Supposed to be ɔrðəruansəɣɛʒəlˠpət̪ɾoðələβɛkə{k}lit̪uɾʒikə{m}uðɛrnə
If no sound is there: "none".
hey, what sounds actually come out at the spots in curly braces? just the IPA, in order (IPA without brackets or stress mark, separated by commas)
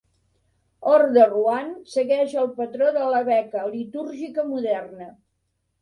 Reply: none, m